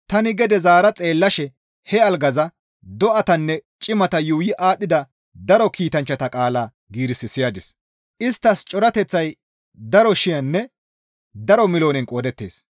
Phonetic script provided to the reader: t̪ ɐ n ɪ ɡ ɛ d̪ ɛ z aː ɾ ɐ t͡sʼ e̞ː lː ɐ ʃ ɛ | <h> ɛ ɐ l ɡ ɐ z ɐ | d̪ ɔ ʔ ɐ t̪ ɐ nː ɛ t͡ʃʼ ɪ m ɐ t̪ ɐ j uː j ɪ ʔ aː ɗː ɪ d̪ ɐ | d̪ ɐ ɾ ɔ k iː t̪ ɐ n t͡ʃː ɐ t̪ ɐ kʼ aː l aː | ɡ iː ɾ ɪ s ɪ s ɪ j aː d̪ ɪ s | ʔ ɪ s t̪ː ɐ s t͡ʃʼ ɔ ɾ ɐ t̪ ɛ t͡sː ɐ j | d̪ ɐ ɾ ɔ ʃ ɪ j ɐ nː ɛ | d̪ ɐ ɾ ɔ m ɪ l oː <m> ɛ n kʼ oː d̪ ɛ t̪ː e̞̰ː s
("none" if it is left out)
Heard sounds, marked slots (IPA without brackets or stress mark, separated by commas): h, n